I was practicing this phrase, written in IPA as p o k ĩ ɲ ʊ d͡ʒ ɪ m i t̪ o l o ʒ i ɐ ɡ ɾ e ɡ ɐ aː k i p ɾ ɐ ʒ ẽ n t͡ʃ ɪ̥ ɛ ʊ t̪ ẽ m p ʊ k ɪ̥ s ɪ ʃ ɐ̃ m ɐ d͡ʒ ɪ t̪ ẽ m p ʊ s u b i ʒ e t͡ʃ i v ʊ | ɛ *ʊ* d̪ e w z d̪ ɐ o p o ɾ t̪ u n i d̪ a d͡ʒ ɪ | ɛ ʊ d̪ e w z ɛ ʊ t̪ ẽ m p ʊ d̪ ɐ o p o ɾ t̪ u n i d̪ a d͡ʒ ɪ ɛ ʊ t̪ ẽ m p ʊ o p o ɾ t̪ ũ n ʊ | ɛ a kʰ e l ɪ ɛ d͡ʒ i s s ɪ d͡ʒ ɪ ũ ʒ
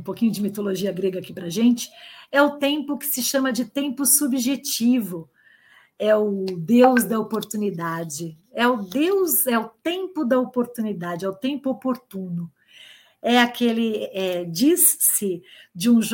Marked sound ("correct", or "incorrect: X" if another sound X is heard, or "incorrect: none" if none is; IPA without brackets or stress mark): correct